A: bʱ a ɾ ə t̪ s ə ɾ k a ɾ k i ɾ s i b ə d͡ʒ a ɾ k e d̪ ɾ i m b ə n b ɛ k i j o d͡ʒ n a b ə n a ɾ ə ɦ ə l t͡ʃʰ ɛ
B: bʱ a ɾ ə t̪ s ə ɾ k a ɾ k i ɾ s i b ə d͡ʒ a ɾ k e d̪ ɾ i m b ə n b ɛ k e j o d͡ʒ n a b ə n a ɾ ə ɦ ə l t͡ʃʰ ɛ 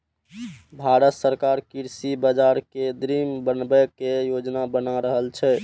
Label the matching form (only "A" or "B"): B